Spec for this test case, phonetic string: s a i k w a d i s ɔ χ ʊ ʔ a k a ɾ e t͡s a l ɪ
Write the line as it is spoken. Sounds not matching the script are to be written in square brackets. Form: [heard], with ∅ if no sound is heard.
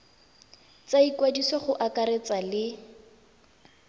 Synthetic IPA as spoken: [t͡s] a i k w a d i s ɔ χ ʊ ʔ a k a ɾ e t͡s a l ɪ